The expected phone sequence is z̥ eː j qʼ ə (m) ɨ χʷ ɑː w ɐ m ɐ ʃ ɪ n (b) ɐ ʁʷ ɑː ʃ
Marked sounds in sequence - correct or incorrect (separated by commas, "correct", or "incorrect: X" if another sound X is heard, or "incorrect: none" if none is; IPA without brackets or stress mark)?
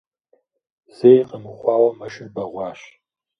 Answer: correct, correct